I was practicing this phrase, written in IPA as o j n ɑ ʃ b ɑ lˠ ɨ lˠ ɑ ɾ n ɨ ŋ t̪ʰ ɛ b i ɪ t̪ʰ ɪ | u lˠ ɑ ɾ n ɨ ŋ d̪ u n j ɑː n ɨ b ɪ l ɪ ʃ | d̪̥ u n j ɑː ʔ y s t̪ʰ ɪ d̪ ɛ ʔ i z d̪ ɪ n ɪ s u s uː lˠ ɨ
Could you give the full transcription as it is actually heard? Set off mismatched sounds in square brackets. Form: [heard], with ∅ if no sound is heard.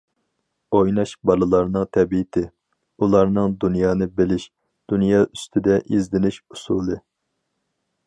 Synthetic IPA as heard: o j n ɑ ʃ b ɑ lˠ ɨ lˠ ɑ ɾ n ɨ ŋ t̪ʰ ɛ b i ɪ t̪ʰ ɪ | u lˠ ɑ ɾ n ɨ ŋ d̪ u n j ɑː n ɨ b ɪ l ɪ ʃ | d̪̥ u n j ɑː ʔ y s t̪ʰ ɪ d̪ ɛ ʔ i z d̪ ɪ n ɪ [ʃ] u s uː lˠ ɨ